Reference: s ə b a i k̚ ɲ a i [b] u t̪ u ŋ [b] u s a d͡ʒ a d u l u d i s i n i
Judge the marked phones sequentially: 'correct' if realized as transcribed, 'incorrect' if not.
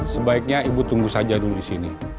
correct, incorrect: ɡ

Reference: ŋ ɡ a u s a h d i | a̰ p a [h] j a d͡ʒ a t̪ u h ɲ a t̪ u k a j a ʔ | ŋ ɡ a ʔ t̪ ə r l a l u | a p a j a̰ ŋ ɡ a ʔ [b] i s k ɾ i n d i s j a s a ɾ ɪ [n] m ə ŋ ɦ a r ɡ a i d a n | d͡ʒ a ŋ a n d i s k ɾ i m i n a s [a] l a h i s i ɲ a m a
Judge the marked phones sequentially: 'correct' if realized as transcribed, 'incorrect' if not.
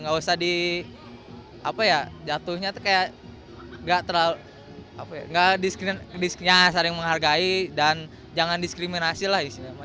incorrect: none, incorrect: d, incorrect: ŋ, incorrect: i

